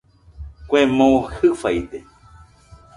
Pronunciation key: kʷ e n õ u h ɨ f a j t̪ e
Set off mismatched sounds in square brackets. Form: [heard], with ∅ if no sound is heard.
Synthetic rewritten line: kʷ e [m] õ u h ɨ f a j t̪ e

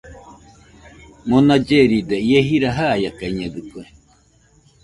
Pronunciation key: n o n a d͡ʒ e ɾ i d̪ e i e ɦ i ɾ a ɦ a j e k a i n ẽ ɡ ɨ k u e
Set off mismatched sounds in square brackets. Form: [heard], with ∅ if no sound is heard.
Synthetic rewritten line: [m] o n a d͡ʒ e ɾ i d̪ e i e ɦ i ɾ a ɦ a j [a] k a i [ɲ] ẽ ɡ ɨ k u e

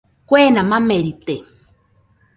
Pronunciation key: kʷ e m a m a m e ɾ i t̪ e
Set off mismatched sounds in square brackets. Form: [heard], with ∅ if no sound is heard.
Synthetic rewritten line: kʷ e [n] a m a m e ɾ i t̪ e

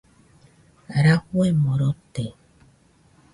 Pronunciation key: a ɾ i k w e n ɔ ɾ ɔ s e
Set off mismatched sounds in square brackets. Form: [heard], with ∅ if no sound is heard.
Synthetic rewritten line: a ɾ [a] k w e [m] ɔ ɾ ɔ [t] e

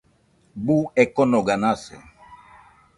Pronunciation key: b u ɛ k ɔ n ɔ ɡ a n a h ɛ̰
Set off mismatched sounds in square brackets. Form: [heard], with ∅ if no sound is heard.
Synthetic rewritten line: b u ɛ k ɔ n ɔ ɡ a n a [s] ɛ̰

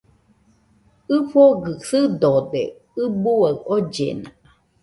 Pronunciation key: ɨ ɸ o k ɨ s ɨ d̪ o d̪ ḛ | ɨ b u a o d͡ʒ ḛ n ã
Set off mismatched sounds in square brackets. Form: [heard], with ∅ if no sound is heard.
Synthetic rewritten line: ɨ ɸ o [ɡ] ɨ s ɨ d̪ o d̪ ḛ | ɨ b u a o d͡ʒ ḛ n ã

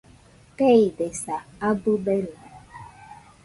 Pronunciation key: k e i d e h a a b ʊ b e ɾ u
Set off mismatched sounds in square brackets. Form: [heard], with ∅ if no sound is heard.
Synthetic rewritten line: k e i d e [s] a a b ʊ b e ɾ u

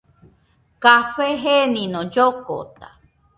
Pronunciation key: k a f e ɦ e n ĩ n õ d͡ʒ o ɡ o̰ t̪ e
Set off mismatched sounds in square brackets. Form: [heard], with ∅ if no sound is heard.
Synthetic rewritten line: k a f e ɦ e n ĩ n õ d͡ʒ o [k] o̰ t̪ [a]

